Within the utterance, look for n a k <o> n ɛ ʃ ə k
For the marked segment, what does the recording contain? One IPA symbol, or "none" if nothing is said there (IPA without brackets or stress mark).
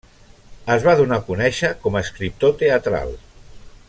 u